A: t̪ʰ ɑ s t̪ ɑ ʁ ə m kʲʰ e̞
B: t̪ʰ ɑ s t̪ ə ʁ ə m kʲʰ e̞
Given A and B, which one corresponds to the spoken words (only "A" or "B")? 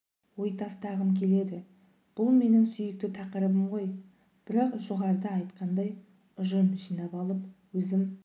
A